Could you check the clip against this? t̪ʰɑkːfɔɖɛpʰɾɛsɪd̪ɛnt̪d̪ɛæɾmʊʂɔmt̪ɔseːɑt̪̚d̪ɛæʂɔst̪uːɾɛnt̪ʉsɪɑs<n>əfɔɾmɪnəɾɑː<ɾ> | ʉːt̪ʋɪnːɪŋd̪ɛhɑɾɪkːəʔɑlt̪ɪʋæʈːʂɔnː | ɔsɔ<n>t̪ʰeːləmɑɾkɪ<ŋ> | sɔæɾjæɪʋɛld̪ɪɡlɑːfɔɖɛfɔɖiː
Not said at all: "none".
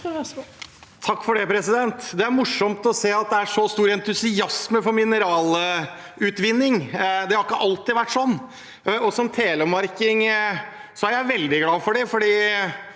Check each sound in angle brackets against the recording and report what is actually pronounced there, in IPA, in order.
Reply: m, l, m, ŋ

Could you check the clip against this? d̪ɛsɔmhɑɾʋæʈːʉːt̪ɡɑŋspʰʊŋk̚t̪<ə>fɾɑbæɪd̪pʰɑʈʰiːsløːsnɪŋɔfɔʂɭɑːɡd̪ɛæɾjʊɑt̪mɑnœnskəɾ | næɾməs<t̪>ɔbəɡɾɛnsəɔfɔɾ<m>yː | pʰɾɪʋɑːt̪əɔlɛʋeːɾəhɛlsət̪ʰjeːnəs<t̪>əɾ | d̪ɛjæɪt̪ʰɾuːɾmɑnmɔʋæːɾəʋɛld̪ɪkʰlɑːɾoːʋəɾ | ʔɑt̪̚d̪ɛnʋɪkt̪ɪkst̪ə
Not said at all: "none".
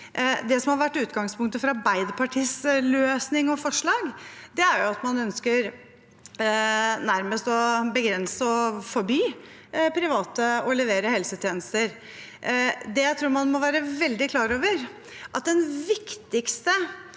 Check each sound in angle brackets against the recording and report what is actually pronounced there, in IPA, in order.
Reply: ə, t̪, b, t̪

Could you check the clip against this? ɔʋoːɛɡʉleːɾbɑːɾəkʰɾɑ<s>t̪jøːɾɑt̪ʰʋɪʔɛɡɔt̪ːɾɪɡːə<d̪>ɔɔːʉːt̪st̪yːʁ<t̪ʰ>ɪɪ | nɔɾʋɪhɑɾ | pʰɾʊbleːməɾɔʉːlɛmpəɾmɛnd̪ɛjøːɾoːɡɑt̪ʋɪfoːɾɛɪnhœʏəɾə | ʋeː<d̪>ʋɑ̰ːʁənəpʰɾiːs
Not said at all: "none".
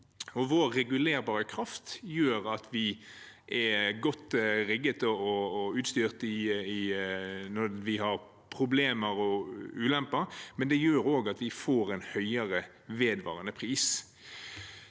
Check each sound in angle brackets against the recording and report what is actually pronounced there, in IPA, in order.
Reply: f, t̪, t̪, d̪

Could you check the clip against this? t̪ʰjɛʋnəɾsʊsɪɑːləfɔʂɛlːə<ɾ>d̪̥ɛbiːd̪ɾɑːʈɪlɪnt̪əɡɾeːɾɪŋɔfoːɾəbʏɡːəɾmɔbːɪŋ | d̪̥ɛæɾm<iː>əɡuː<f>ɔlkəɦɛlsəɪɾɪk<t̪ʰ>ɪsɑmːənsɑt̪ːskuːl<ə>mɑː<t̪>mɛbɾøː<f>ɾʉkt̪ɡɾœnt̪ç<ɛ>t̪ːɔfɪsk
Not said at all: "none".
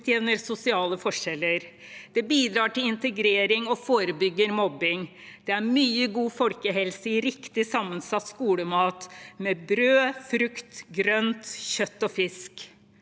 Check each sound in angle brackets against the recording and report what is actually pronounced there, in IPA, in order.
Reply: ɾ, yː, f, t̪, ə, t̪, f, œ

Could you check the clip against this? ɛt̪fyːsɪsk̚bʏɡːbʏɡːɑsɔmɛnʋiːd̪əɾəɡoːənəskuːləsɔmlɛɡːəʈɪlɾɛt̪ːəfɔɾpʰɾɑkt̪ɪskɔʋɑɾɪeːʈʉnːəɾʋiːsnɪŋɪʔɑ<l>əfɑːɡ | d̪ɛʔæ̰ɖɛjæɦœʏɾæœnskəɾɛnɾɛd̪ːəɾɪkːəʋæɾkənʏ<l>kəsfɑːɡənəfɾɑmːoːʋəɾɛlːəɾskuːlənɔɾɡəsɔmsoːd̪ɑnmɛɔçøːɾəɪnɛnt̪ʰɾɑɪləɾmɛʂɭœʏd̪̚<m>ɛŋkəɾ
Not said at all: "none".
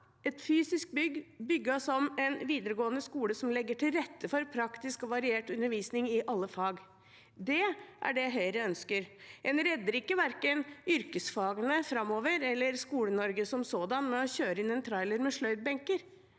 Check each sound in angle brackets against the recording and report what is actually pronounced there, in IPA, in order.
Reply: lː, ɾ, b

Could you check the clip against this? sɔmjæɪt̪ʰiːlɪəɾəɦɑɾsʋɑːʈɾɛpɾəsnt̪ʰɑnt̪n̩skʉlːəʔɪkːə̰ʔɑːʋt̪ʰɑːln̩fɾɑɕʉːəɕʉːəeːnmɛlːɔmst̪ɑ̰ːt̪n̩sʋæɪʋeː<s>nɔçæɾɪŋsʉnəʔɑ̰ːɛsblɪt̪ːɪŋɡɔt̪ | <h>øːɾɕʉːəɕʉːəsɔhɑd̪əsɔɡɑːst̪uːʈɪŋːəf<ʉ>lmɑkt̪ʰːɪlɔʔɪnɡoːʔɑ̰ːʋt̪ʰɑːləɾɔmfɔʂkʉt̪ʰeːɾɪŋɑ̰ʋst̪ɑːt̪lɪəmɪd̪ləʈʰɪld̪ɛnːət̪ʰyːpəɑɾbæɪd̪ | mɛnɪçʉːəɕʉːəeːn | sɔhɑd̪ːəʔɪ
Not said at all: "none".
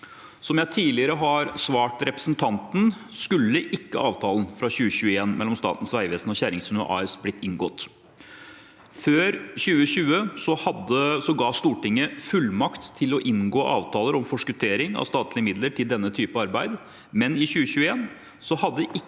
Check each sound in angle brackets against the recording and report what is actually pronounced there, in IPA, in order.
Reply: s, f, ʉ

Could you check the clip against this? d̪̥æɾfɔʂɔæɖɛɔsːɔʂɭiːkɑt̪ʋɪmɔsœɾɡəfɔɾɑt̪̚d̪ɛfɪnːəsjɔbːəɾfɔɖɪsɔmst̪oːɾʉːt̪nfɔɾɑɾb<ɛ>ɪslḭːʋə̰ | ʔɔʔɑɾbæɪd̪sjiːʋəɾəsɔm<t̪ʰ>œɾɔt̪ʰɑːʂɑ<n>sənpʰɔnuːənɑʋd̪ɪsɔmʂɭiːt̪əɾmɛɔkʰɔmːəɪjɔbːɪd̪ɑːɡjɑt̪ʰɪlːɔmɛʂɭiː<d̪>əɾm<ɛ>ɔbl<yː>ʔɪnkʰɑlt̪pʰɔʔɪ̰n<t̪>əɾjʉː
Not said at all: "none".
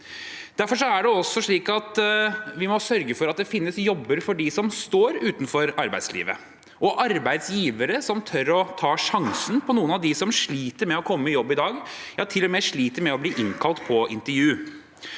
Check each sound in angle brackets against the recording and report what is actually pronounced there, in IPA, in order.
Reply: æ, t̪ʰ, ŋ, t̪, ɛ, iː, t̪

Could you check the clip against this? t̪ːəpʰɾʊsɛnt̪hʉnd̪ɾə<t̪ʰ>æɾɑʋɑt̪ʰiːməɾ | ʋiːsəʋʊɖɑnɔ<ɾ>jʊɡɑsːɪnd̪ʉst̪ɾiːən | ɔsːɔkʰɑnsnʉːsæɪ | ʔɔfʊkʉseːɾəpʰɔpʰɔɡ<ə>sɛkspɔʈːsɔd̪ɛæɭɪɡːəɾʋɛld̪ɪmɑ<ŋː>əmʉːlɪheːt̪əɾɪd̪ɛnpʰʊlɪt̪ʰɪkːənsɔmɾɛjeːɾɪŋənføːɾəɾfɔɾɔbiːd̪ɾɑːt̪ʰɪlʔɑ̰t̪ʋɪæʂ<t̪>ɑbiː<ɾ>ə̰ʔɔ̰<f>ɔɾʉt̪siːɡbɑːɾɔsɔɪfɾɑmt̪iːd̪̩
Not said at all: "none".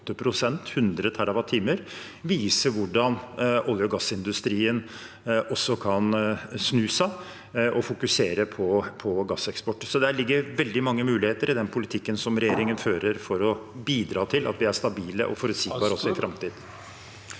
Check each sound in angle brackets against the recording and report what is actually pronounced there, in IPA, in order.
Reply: t̪ʰ, l, ɑ, ŋː, t̪, l, f

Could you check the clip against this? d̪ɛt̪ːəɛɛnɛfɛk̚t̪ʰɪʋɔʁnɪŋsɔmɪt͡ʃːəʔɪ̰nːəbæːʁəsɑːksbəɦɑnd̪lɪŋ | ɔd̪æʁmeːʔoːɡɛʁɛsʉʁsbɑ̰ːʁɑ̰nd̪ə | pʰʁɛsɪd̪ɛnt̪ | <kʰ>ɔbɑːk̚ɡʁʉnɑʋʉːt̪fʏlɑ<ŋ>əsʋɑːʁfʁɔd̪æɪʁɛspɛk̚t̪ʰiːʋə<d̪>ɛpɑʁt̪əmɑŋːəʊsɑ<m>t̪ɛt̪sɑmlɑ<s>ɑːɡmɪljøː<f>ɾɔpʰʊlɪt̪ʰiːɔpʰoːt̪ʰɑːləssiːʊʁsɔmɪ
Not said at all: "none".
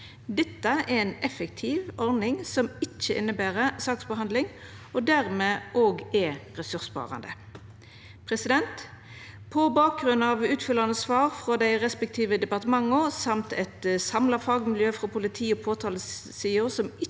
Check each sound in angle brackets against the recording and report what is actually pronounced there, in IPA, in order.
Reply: pʰ, n, d̪, m, f, f

